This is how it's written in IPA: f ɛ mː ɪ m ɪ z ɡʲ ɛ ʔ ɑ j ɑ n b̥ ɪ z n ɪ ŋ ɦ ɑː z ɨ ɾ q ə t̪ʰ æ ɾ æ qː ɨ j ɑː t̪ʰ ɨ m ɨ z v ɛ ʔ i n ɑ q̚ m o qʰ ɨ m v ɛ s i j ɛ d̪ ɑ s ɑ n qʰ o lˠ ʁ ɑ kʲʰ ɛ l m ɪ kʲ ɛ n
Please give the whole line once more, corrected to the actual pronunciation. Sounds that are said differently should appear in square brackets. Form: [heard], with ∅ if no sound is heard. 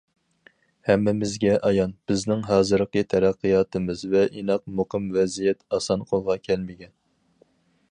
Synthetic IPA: [h] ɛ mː ɪ m ɪ z ɡʲ ɛ ʔ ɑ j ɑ n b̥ ɪ z n ɪ ŋ ɦ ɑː z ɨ ɾ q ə t̪ʰ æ ɾ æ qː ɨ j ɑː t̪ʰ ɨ m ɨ z v ɛ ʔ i n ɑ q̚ m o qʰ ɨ m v ɛ [z] i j ɛ [t̪] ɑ s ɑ n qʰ o lˠ ʁ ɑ kʲʰ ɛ l m ɪ [ɡʲ] ɛ n